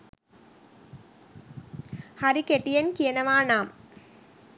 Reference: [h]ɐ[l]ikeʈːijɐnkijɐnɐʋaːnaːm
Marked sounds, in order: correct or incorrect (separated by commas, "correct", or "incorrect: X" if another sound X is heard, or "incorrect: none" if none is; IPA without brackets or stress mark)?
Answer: correct, incorrect: ɾ